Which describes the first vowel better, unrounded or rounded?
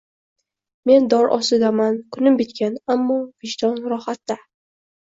unrounded